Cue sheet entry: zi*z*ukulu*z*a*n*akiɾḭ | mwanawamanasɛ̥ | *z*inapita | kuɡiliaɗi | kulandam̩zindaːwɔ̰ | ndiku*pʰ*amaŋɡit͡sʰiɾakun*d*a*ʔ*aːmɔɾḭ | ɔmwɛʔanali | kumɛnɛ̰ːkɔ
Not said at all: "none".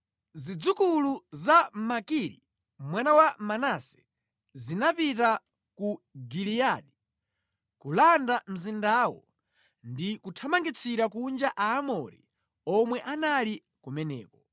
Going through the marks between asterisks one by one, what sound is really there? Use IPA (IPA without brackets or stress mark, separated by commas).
d͡z, z, m, z, tʰ, d͡ʒ, ʔ